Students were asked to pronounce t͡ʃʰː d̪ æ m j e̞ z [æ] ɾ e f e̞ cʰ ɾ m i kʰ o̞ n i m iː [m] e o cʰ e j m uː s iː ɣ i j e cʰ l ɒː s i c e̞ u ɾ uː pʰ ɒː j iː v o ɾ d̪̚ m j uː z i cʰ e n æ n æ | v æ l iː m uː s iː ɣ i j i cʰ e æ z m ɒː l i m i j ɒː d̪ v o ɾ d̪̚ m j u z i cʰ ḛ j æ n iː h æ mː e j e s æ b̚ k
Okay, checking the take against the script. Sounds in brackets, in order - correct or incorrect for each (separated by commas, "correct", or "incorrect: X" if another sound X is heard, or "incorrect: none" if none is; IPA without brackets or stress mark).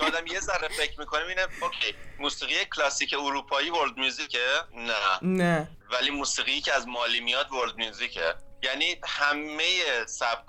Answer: correct, incorrect: n